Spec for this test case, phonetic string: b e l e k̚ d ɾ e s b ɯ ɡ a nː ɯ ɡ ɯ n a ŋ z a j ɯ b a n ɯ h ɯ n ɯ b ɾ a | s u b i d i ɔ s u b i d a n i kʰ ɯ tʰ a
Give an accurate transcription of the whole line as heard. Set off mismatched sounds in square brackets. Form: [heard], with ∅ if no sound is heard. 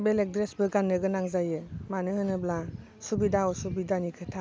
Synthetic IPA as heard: b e l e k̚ d ɾ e s b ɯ ɡ a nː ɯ ɡ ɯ n a ŋ z a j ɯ [m] a n ɯ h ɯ n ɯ b [l] a | s u b i d [a] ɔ s u b i d a n i kʰ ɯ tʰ a